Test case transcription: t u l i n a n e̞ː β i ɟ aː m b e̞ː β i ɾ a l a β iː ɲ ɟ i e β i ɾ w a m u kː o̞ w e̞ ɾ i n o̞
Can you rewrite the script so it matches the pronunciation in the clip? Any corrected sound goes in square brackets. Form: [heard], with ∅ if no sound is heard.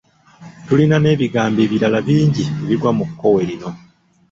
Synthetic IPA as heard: t u l i n a n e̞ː β i [ɡ] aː m b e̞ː β i ɾ a l a β iː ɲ ɟ i e β i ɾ w a m u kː o̞ w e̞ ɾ i n o̞